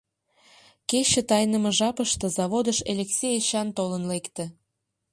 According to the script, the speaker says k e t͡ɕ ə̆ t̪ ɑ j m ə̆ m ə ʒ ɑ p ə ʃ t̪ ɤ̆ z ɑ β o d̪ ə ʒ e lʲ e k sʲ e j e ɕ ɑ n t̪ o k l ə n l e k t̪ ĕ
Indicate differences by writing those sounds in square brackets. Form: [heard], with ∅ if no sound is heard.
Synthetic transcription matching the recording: k e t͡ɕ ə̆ t̪ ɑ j [n] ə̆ m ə ʒ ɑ p ə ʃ t̪ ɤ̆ z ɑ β o d̪ ə [ʃ] e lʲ e k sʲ e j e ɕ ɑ n t̪ o [∅] l ə n l e k t̪ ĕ

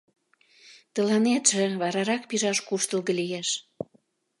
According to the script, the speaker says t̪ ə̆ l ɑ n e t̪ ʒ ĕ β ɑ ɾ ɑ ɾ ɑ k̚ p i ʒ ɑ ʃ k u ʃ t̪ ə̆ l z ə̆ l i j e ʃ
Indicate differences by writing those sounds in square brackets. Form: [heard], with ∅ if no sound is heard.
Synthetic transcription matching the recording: t̪ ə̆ l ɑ n e t̪ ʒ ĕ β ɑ ɾ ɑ ɾ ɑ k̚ p i ʒ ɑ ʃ k u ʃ t̪ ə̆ l [ɣ] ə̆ l i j e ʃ

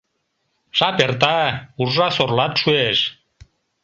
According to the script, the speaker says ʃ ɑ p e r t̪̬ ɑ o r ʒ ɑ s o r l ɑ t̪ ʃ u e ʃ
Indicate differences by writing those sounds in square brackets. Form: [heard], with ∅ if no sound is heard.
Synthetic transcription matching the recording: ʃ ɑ p e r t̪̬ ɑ [u] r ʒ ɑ s o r l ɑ t̪ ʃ u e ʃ

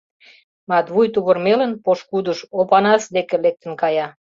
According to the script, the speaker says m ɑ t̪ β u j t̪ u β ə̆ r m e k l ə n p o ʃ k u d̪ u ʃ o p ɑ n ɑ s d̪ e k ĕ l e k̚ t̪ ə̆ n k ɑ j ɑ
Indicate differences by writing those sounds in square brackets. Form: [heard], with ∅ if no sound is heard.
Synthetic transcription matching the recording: m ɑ t̪ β u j t̪ u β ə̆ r m e [∅] l ə n p o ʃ k u d̪ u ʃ o p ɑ n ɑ s d̪ e k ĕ l e k̚ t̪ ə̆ n k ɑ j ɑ

